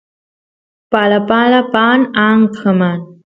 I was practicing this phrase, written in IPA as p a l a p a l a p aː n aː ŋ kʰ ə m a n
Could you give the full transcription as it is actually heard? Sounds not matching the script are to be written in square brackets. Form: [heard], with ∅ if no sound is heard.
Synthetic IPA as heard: p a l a p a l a p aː n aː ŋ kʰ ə m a n